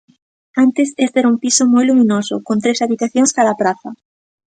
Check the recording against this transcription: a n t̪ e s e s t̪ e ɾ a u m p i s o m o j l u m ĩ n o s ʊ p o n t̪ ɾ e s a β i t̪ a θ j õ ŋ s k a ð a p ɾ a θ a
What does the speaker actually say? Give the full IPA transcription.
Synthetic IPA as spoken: a n t̪ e s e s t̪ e ɾ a u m p i s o m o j l u m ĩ n o s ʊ k o n t̪ ɾ e s a β i t̪ a θ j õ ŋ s k a ð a p ɾ a θ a